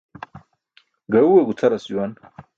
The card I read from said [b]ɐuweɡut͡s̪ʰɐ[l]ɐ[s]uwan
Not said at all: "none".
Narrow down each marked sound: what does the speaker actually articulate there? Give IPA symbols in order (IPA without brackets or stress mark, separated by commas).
ɡ, ɾ, s